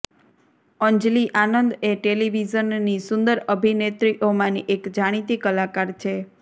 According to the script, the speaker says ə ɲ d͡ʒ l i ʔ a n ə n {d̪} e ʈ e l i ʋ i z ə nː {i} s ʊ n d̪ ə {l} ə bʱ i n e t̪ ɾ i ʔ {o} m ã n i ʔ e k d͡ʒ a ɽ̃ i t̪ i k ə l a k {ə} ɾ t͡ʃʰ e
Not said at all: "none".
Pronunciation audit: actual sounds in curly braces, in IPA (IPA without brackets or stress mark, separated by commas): d̪, i, ɾ, o, a